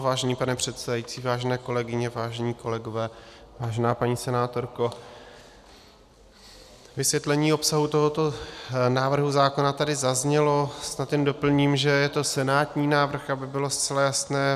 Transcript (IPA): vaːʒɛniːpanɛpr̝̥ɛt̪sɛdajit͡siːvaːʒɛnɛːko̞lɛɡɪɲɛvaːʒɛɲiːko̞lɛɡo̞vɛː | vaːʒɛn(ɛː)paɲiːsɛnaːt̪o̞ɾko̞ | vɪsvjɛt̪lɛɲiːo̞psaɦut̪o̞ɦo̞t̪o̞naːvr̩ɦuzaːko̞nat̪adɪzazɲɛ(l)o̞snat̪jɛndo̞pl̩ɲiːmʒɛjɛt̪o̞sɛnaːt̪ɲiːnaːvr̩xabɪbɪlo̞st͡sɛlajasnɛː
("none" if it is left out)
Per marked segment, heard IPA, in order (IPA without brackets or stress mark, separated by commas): aː, l